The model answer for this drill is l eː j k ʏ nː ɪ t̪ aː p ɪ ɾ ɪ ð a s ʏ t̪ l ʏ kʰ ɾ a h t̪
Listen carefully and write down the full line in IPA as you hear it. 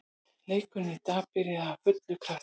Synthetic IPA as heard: l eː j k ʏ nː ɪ t̪ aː p ɪ ɾ ɪ ð a f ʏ t̪ l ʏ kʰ ɾ a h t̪